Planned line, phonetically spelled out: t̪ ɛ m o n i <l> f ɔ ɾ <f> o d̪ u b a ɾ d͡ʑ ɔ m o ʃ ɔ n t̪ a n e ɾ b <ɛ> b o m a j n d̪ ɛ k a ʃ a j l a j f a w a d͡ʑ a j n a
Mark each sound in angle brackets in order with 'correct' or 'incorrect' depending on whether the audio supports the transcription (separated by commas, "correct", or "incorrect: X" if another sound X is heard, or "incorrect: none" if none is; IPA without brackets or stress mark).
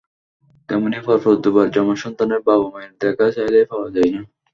incorrect: none, correct, incorrect: a